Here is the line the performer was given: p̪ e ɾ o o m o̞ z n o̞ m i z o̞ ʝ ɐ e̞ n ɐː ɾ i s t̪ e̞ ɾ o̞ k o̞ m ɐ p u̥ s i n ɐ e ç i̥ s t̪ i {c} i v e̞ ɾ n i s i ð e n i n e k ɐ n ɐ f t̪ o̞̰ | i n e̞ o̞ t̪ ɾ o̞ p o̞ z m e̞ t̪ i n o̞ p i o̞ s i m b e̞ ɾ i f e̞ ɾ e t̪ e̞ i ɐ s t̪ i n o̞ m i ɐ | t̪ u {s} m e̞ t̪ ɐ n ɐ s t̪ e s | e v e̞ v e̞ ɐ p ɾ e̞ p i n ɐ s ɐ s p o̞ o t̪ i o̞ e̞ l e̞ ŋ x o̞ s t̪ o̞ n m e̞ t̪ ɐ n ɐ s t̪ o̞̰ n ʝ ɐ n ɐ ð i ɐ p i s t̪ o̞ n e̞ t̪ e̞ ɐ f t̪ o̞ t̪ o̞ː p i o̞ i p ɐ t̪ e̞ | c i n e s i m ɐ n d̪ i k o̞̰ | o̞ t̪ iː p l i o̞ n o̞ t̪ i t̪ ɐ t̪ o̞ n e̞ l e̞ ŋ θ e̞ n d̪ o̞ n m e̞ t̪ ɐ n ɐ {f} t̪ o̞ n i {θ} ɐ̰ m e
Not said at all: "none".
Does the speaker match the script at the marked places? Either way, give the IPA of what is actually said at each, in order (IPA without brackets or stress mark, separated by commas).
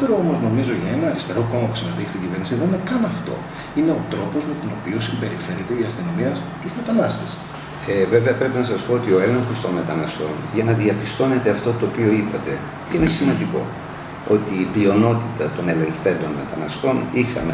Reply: ɟ, z, s, x